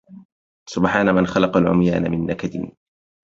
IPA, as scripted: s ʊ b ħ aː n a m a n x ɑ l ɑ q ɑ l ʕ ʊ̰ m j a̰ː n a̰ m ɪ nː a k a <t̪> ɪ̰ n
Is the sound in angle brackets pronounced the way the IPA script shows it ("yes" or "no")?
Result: no